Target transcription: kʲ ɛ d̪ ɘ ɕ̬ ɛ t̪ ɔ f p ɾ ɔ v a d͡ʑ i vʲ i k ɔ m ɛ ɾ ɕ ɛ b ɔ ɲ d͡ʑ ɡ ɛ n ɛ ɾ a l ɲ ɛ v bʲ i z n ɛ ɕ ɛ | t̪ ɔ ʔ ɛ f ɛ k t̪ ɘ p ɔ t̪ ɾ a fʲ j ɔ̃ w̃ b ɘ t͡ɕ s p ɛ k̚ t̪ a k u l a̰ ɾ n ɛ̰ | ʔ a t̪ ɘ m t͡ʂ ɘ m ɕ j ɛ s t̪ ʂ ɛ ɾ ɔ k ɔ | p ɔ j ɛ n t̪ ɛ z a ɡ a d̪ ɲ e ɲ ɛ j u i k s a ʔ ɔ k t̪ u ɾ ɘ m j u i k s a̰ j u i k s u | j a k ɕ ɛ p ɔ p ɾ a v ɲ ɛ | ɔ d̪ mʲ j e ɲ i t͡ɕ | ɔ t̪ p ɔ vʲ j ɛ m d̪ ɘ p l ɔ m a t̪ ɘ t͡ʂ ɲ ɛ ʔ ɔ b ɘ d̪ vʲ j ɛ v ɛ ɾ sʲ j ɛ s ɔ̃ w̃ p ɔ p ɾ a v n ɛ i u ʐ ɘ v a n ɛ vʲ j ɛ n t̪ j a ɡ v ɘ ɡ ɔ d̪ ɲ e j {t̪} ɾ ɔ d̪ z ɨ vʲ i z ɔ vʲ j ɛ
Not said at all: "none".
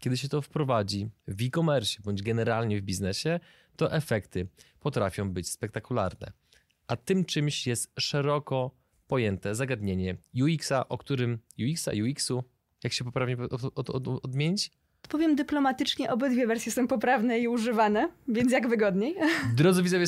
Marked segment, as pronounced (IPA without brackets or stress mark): d̪